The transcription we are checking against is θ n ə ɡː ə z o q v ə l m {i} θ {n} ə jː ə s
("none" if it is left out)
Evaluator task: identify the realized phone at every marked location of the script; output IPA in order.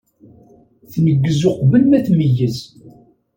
æ, m

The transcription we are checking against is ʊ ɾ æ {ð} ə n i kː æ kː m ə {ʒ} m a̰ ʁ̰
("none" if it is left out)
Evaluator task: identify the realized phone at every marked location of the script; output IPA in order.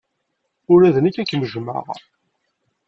ð, ʒ

